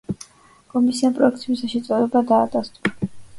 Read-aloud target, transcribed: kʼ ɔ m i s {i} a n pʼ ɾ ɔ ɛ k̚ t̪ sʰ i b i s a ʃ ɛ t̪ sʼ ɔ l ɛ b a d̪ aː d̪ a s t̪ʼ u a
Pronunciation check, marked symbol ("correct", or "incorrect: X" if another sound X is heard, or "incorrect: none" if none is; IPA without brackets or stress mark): correct